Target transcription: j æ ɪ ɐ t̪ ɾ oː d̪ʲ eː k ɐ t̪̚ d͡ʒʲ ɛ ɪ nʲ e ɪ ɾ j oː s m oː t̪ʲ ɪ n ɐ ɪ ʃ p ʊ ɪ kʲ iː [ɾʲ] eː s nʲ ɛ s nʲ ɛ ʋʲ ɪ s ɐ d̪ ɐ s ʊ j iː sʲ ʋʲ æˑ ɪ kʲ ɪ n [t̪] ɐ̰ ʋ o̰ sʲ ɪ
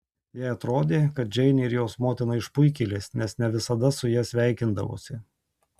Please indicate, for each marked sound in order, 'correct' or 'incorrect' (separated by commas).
incorrect, incorrect